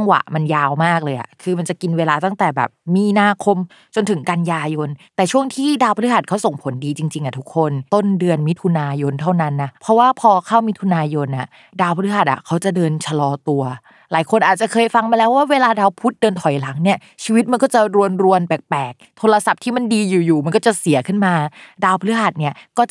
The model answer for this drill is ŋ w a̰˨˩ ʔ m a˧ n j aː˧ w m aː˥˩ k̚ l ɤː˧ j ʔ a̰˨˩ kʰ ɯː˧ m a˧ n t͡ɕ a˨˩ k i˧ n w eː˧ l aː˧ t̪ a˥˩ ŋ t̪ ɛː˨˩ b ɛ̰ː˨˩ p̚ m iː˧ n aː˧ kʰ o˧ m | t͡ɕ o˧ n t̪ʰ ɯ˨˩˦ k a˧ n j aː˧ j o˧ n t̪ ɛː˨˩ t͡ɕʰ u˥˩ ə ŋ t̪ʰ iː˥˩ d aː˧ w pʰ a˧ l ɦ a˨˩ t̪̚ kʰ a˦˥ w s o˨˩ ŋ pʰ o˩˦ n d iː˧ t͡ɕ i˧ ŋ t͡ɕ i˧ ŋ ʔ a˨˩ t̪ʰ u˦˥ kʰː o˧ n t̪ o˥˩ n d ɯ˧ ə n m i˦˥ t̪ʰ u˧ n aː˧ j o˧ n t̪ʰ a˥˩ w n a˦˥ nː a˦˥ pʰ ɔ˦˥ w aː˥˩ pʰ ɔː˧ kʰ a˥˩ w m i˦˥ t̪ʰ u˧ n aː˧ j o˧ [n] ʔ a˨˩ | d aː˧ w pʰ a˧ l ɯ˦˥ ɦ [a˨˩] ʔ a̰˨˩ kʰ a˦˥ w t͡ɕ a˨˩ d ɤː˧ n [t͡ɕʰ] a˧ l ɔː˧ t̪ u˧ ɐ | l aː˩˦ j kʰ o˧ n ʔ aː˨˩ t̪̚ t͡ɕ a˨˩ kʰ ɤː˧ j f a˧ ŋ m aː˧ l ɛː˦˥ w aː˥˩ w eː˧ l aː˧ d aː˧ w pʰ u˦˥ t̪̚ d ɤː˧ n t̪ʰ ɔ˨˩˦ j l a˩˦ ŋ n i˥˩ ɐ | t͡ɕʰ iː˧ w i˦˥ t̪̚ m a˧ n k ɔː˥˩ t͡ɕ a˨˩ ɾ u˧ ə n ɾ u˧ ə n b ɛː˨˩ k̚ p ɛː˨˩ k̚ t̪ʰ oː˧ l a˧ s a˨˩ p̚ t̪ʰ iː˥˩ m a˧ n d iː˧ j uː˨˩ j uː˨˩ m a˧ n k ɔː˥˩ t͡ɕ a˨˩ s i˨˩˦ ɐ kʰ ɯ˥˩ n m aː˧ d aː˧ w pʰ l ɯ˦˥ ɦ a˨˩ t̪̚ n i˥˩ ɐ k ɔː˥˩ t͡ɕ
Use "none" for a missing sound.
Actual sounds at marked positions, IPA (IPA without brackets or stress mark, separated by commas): n, a˨˩, t͡ɕʰ